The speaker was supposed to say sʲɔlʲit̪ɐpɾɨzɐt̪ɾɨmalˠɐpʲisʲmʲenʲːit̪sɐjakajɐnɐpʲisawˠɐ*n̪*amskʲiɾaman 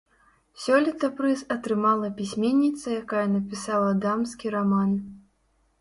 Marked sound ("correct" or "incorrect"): incorrect